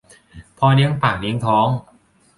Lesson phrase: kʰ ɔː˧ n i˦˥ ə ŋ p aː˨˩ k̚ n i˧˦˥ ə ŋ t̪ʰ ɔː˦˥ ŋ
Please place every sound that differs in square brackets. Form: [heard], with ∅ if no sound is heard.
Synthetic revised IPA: [pʰ] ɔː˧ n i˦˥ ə ŋ p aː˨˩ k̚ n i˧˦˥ ə ŋ t̪ʰ ɔː˦˥ ŋ